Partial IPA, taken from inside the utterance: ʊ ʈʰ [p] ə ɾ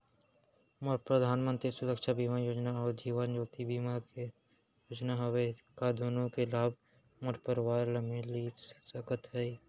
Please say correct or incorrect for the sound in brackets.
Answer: correct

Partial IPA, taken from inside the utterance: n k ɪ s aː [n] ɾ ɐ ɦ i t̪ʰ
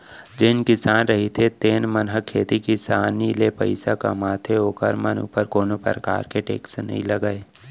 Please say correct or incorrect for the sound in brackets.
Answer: correct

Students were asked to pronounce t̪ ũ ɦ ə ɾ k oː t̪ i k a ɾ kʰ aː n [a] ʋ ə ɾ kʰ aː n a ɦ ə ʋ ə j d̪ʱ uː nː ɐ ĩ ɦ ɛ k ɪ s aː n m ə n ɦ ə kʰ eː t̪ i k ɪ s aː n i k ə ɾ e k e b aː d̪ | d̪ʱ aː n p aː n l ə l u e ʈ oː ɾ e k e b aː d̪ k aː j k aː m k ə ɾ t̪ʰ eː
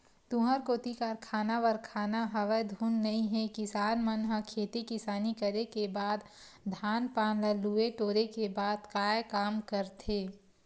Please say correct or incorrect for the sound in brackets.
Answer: correct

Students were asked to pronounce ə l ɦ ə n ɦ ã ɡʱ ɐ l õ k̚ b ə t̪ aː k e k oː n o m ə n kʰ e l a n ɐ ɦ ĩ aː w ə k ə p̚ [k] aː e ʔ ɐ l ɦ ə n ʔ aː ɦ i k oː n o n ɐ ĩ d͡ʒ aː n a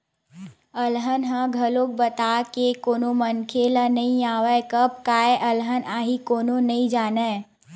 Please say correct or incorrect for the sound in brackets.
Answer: correct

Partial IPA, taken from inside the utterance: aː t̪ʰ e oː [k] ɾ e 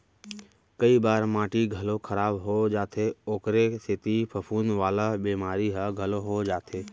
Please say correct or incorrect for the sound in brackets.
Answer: correct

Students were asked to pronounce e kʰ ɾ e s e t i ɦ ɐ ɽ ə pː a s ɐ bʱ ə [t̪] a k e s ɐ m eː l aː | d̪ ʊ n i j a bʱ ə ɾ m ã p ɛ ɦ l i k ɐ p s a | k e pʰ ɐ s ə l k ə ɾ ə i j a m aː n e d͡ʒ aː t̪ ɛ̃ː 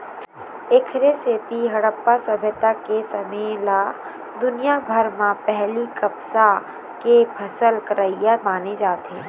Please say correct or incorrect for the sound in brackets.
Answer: correct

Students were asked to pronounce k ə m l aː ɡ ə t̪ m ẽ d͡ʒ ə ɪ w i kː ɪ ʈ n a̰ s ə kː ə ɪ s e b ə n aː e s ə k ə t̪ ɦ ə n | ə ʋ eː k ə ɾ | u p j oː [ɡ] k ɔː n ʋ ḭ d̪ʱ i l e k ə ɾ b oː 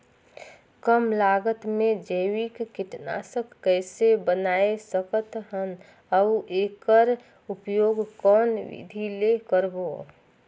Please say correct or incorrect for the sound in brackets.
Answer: correct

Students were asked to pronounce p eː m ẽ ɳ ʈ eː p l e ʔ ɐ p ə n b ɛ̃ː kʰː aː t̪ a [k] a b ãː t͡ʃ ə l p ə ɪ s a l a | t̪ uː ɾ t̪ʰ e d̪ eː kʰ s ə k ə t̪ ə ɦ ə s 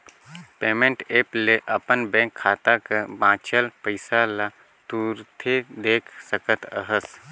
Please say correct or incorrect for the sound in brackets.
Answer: correct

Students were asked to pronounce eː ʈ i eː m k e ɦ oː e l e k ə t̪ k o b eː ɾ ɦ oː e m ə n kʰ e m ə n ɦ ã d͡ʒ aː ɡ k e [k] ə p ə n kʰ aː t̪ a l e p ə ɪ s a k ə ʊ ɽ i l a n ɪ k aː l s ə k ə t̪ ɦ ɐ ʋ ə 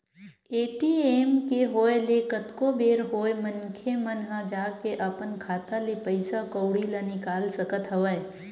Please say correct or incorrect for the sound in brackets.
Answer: incorrect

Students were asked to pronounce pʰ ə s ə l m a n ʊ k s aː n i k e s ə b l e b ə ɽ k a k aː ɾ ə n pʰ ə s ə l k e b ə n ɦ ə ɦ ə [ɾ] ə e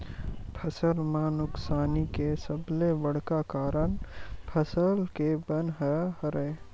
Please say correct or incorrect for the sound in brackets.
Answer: correct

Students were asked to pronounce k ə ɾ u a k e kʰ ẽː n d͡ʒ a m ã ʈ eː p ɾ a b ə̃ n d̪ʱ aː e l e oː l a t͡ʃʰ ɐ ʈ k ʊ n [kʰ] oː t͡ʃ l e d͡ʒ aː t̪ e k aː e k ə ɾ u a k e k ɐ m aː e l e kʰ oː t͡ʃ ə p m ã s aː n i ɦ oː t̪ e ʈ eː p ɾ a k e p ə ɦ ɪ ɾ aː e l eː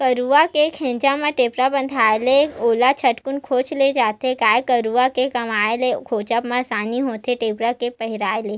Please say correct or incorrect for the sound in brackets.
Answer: correct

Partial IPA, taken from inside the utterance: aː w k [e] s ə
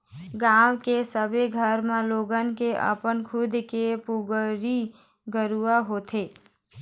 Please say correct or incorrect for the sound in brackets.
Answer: correct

